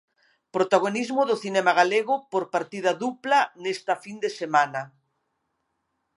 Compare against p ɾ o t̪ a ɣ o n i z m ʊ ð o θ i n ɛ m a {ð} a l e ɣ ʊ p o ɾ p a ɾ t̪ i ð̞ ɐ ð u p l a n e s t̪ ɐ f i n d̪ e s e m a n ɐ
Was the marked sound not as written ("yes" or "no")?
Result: yes